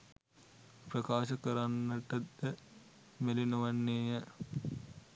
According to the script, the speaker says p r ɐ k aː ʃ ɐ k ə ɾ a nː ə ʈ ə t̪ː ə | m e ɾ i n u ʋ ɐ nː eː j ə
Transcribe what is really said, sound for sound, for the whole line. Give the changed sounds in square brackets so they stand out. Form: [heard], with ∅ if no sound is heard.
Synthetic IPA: p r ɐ k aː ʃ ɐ k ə ɾ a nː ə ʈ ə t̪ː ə | m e [l] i n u ʋ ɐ nː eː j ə